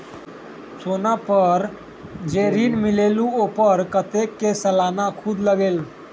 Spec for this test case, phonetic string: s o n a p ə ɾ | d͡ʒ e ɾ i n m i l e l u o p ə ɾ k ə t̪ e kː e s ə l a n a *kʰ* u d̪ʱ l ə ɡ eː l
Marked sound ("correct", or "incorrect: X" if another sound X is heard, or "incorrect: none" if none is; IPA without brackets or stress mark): correct